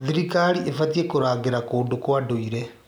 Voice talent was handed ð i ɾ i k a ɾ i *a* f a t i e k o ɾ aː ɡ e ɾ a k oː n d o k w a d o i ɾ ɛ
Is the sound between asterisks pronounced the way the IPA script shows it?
no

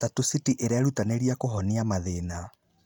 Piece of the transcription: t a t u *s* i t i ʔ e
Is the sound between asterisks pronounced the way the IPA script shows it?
yes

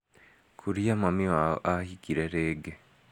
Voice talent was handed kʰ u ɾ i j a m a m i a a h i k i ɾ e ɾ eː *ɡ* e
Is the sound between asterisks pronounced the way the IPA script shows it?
yes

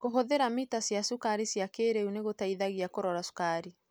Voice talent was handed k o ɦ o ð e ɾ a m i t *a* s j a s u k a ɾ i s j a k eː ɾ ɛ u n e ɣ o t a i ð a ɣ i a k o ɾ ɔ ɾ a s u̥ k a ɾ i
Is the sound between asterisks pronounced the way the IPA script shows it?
yes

